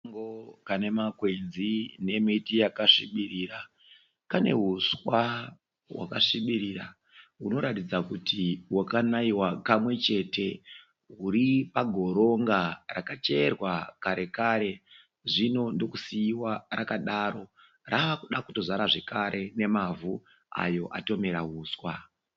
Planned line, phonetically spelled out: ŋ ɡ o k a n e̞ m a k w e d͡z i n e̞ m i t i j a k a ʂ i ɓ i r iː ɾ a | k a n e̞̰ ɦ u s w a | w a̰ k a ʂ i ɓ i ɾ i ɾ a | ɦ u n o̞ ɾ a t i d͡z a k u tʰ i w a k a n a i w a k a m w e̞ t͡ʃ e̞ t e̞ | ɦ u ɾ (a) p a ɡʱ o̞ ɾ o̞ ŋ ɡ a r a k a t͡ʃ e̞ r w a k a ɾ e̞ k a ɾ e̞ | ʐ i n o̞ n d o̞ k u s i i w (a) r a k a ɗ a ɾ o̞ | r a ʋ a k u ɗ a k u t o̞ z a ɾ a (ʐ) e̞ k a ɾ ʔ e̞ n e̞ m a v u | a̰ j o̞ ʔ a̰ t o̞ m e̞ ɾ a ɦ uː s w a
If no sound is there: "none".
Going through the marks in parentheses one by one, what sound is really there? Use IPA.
i, a, ʐ

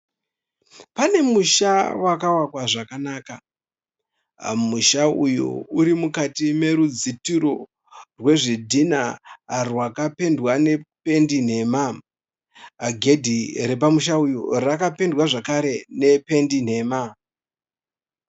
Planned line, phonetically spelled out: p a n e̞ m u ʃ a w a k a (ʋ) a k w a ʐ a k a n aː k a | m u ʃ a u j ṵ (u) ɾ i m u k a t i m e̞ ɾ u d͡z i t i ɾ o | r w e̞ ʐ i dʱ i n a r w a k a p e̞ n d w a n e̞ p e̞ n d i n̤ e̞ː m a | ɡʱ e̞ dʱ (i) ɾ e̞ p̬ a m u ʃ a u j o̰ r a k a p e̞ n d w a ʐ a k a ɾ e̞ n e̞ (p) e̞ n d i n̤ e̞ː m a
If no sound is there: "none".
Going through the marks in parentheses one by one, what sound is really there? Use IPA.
w, u, i, p

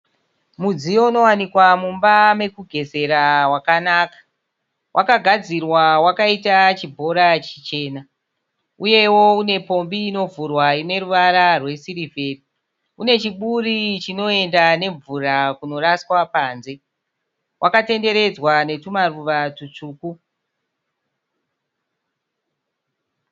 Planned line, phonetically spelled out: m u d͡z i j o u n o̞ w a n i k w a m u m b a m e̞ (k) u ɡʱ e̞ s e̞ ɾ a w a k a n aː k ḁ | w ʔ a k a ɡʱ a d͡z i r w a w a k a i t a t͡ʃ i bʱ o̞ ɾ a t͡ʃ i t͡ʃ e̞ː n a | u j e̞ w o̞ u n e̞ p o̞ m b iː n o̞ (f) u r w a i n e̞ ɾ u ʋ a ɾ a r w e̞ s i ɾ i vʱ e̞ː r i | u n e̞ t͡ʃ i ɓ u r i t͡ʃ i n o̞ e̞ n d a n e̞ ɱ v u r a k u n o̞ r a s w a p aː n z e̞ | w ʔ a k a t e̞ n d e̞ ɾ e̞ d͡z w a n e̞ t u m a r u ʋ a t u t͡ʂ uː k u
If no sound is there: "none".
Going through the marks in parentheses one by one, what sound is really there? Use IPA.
k, v

